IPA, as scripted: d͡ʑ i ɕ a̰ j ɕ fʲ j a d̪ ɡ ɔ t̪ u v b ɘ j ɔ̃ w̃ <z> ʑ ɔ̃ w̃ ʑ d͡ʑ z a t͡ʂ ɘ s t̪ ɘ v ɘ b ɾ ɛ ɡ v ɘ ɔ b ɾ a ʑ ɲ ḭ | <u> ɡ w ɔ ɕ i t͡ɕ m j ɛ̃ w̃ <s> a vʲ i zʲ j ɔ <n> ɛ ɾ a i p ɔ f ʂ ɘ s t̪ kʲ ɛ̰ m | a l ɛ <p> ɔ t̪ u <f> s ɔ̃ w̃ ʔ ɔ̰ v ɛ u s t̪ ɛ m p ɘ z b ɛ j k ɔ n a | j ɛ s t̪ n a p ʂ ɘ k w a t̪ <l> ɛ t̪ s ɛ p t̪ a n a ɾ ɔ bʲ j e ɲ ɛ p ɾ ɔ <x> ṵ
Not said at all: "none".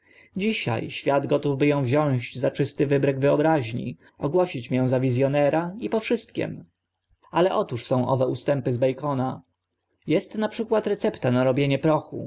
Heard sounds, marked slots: v, ɔ, z, n, ʔ, ʂ, ɾ, x

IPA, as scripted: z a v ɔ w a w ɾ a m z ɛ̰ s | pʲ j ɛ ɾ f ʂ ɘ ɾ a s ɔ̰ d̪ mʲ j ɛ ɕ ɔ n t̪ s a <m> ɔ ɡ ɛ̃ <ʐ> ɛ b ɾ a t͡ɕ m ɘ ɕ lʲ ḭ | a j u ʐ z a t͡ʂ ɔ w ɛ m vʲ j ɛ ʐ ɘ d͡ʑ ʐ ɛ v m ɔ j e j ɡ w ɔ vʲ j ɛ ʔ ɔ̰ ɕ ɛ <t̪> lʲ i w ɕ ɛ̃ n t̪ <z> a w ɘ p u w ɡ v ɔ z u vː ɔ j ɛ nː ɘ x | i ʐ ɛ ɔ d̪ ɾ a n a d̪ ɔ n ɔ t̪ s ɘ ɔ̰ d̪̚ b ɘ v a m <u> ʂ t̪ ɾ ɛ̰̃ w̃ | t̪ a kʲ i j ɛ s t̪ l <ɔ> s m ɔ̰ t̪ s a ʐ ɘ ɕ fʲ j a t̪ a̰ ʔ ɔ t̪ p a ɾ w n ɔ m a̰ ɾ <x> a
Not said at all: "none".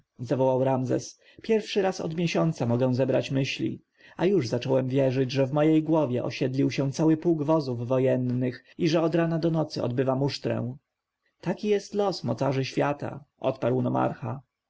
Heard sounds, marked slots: m, z, d̪, s, u, ɔ, x

